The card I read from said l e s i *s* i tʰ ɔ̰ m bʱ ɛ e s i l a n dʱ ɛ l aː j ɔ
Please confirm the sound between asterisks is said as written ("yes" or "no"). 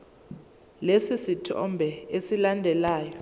yes